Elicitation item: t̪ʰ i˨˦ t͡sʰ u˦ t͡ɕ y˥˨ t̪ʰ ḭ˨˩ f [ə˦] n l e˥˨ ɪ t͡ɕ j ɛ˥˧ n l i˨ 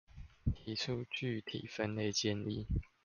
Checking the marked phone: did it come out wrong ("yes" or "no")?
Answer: no